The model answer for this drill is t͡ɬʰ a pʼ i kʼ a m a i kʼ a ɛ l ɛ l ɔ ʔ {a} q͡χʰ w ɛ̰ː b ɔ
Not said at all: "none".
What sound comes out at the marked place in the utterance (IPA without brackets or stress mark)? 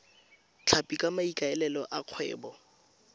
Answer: a